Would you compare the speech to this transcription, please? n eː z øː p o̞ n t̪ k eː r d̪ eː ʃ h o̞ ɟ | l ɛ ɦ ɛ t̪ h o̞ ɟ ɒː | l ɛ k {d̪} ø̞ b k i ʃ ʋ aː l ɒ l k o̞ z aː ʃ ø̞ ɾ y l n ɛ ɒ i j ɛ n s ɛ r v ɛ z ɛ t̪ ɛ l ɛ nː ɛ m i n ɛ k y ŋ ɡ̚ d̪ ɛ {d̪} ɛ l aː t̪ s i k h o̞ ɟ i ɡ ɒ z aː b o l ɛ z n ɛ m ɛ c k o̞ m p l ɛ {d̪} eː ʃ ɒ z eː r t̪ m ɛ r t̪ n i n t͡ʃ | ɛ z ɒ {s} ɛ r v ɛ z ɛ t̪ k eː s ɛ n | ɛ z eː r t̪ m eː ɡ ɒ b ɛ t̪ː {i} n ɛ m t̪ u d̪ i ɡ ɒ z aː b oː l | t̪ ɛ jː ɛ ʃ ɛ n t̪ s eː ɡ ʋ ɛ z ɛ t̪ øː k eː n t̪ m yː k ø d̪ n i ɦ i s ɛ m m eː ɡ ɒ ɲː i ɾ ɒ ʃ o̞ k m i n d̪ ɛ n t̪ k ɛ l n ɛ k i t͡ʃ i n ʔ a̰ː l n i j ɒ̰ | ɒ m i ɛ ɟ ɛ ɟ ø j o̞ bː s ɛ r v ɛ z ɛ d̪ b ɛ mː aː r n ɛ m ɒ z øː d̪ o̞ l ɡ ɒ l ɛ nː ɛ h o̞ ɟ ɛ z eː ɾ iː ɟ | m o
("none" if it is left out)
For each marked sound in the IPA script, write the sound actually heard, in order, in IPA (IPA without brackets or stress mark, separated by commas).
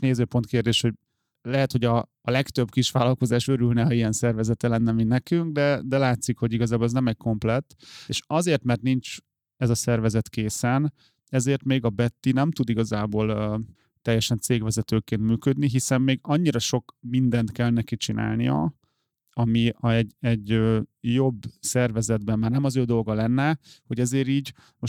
t̪, d̪, t̪, s, i